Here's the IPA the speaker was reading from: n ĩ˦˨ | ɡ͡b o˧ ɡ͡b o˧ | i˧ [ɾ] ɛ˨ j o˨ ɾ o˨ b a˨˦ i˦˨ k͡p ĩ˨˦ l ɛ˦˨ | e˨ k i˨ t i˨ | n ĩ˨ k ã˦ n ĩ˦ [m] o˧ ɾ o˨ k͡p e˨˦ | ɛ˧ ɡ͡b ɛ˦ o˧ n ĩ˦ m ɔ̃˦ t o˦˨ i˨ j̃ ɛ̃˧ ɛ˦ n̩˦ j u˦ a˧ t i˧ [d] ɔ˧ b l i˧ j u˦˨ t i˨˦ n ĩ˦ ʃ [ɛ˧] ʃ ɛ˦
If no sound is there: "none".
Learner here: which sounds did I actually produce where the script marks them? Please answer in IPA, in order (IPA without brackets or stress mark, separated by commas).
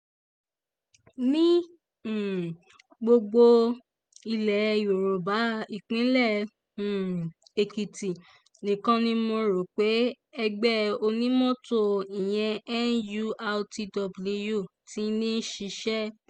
l, m, d, i˧